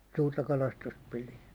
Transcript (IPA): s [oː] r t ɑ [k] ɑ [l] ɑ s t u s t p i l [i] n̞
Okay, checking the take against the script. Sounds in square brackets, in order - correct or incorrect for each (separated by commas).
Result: incorrect, correct, correct, correct